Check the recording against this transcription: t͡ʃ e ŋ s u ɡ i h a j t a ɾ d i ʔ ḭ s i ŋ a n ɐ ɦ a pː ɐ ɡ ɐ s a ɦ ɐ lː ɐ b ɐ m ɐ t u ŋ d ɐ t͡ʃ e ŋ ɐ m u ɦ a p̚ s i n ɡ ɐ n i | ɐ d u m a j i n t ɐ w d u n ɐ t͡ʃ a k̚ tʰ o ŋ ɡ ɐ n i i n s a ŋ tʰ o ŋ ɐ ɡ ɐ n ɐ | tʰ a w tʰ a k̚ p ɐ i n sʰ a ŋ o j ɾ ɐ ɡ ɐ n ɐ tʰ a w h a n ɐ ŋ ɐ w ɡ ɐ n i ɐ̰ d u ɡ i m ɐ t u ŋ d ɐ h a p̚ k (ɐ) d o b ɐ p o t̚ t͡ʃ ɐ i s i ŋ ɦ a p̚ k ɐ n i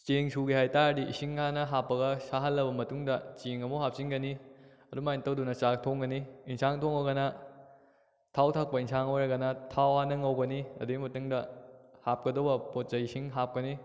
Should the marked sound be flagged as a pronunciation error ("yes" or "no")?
no